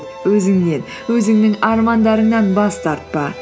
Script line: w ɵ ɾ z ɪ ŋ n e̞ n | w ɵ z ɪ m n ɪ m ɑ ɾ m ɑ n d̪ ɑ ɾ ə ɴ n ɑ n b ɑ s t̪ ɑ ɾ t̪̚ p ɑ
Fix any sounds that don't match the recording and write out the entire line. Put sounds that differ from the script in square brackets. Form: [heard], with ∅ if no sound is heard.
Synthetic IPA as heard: w ɵ [∅] z ɪ ŋ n e̞ n | w ɵ z ɪ [ŋ] n ɪ [ŋ] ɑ ɾ m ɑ n d̪ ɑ ɾ ə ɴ n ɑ n b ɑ s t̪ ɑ ɾ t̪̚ p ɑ